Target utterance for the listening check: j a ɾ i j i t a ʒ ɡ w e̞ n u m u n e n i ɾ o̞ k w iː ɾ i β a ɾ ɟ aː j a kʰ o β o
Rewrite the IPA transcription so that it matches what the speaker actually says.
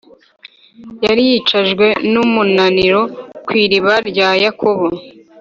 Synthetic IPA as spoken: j a ɾ i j i t͡ʃ a ʒ ɡ w e̞ n u m u n a n i ɾ o̞ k w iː ɾ i β a ɾ ɟ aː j a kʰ o β o